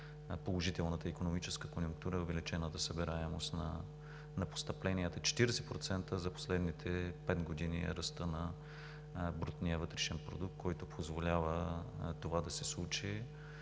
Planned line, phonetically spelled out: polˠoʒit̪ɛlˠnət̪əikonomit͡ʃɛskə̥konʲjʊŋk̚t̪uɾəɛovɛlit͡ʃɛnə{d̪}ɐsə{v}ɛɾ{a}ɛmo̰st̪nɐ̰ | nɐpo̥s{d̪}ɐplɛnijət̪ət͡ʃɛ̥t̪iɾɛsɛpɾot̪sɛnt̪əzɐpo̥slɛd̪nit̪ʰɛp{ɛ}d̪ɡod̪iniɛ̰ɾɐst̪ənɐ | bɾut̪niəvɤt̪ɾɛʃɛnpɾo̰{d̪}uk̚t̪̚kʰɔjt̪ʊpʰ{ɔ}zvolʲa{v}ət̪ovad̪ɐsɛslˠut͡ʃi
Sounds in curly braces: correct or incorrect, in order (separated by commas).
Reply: incorrect, incorrect, correct, incorrect, correct, correct, incorrect, correct